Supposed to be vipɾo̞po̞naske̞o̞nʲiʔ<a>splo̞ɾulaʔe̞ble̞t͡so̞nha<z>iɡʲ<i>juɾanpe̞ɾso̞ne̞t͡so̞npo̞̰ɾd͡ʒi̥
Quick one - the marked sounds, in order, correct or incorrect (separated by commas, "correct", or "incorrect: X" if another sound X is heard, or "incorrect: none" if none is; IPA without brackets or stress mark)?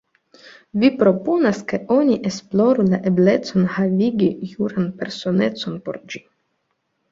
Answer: incorrect: e, incorrect: v, correct